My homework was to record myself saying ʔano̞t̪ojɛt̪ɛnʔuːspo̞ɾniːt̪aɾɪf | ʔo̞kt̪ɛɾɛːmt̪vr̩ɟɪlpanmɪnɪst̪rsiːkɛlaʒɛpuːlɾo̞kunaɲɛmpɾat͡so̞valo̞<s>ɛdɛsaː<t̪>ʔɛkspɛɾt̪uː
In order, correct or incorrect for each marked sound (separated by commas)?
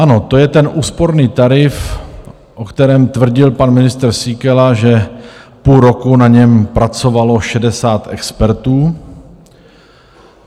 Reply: incorrect, correct